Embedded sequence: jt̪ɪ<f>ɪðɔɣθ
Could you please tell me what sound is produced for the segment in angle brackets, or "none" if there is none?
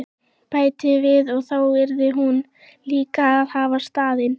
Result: v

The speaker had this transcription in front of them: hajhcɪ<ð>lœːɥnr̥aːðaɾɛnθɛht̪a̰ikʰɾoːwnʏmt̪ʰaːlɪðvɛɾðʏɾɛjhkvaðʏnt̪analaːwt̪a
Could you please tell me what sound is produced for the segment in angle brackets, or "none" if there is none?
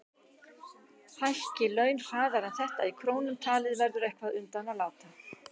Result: none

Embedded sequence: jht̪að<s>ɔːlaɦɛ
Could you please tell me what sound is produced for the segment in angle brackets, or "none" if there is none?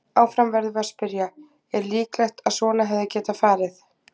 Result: s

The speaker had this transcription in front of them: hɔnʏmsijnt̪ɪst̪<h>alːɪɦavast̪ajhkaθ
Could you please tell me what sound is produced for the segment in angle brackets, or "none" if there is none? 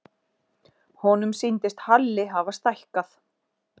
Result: h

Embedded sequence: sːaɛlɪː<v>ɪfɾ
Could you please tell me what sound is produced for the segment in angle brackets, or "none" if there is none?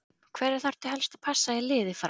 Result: ð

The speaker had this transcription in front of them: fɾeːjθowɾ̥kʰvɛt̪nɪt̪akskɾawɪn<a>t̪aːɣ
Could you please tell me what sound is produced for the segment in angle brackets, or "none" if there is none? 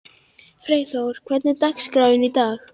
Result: i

